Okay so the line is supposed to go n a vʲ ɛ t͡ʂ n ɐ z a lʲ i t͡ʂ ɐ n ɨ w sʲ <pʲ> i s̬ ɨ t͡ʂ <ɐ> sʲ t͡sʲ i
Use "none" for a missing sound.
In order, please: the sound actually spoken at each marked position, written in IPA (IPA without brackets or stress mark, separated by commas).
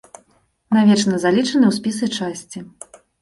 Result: pʲ, a